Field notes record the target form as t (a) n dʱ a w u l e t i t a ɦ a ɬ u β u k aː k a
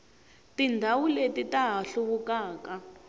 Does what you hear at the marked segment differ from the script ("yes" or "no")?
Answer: yes